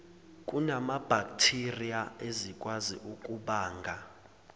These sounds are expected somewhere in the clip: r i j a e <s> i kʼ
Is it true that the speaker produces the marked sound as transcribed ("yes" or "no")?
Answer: no